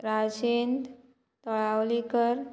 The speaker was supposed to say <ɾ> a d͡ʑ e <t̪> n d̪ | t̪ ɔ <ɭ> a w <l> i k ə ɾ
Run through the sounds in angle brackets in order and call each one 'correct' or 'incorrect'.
correct, incorrect, correct, correct

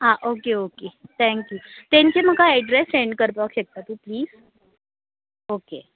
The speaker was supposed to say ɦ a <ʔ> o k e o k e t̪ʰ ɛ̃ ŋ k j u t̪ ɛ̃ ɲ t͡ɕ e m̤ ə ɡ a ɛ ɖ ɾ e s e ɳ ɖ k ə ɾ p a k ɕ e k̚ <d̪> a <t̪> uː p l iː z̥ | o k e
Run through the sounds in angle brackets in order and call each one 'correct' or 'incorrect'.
correct, incorrect, correct

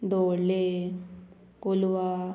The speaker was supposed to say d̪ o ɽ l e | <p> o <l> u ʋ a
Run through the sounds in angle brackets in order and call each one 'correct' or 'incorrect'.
incorrect, correct

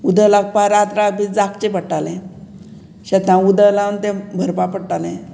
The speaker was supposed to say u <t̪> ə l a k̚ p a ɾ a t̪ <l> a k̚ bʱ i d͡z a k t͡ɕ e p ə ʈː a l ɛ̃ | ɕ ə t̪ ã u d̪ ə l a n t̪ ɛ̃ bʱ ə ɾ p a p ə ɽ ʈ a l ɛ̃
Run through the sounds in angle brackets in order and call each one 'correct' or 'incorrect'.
incorrect, incorrect

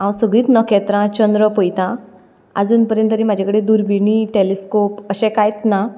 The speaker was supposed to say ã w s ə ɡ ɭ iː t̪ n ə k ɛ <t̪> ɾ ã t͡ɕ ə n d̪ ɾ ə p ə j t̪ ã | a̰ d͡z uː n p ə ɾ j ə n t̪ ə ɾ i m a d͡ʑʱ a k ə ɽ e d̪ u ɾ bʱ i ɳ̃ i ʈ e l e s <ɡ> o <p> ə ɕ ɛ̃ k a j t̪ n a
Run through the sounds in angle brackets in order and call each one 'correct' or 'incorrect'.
correct, incorrect, correct

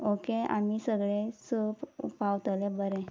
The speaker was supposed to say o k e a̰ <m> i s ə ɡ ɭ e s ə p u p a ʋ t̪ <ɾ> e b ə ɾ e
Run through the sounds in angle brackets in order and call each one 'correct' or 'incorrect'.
correct, incorrect

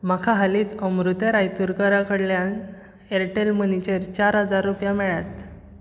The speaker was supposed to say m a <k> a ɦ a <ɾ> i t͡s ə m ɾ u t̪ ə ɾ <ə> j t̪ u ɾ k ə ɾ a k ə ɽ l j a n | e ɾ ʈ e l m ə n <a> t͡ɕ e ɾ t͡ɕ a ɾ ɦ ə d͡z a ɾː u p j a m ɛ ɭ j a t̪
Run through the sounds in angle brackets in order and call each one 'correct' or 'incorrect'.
incorrect, incorrect, incorrect, incorrect

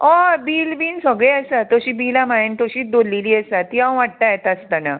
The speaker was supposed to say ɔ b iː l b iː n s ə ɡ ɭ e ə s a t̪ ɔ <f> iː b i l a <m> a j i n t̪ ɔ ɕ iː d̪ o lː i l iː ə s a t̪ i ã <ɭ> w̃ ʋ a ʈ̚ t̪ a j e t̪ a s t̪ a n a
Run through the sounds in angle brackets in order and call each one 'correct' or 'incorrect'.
incorrect, correct, incorrect

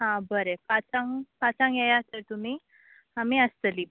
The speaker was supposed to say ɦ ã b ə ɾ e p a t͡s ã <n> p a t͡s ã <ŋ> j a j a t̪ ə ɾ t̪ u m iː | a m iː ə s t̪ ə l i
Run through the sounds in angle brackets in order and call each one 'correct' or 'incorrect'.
incorrect, correct

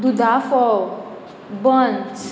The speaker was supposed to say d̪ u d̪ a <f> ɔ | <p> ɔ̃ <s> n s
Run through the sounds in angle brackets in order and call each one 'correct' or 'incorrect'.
correct, incorrect, incorrect

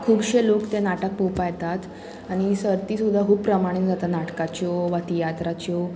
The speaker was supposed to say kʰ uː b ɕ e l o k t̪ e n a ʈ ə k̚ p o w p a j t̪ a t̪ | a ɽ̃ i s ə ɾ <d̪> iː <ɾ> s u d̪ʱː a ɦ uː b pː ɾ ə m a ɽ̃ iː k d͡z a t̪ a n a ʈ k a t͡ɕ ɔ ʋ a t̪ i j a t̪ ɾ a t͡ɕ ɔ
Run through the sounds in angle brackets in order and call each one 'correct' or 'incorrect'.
incorrect, incorrect

